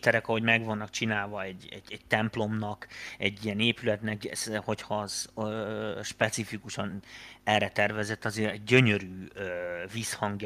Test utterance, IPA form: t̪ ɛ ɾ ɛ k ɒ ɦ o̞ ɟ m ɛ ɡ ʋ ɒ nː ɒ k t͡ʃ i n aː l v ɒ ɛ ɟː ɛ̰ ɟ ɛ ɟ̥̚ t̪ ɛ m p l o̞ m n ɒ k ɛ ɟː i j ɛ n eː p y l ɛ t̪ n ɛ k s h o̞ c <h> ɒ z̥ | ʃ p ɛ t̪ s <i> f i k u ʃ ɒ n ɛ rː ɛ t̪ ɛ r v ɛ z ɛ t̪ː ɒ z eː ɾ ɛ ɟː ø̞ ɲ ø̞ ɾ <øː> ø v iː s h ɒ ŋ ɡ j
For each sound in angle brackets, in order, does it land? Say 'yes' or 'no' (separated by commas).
yes, yes, no